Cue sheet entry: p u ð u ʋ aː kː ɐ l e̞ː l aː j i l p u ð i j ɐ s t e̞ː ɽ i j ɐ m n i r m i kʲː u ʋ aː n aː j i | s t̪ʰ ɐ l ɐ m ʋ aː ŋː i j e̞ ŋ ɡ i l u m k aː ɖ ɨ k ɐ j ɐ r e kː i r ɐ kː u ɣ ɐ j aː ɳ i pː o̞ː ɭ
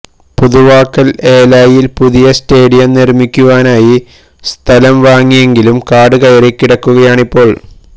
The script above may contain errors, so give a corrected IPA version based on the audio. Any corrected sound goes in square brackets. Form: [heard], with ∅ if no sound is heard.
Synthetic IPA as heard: p u ð u ʋ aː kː ɐ l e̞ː l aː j i l p u ð i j ɐ s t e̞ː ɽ i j ɐ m n i r m i kʲː u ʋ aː n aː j i | s t̪ʰ ɐ l ɐ m ʋ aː ŋː i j e̞ ŋ ɡ i l u m k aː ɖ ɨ k ɐ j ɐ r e kː i [ɽ] ɐ kː u ɣ ɐ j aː ɳ i pː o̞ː ɭ